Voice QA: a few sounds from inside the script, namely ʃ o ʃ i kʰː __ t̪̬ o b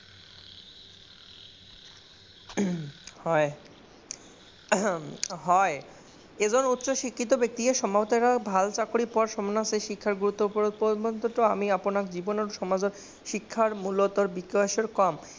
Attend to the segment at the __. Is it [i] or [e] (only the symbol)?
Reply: i